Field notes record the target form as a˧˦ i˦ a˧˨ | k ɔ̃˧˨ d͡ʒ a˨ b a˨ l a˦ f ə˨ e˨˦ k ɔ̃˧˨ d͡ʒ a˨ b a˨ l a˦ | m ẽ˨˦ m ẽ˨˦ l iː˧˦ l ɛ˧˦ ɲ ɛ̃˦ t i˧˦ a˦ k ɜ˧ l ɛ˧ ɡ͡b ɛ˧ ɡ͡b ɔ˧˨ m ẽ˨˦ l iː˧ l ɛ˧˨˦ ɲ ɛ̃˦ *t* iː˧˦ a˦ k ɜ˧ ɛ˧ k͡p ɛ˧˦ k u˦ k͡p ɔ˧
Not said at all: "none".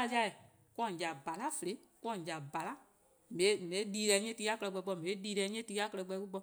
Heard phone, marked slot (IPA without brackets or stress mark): t